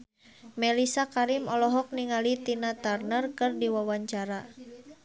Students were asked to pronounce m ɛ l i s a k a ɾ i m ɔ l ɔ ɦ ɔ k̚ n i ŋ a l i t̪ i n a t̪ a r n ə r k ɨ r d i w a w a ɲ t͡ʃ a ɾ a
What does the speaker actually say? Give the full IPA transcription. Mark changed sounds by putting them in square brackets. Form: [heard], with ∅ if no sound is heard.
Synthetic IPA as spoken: m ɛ l i s a k a ɾ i m ɔ l ɔ ɦ ɔ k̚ n i ŋ a l i t̪ i n a t̪ a r n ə r k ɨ r d i w a w a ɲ t͡ʃ a ɾ a